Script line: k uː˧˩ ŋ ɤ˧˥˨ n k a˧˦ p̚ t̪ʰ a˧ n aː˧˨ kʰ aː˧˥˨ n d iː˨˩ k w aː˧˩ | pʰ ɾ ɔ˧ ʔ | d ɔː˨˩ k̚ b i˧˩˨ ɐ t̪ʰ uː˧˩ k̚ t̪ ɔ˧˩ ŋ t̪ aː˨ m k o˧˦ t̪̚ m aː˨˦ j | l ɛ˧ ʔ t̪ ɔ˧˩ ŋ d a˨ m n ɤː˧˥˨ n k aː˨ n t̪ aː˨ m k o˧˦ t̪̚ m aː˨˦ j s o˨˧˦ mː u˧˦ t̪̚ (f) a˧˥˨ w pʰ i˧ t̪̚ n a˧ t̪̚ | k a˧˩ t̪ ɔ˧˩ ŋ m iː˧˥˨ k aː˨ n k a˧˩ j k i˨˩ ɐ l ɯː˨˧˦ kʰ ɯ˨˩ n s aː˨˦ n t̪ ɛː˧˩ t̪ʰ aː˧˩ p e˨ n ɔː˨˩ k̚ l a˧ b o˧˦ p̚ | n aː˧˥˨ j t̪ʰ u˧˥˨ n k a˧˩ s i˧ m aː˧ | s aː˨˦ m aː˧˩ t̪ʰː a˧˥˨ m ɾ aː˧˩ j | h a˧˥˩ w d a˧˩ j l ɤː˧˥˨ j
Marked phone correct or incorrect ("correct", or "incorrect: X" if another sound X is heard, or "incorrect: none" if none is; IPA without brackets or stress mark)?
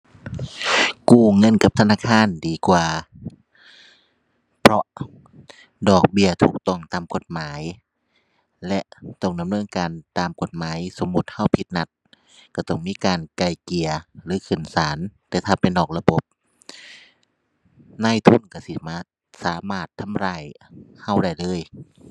incorrect: h